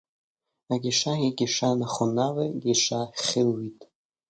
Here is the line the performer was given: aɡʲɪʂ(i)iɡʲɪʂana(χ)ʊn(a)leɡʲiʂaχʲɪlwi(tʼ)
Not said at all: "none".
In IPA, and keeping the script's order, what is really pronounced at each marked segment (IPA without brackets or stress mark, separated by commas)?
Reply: a, χ, a, tʼ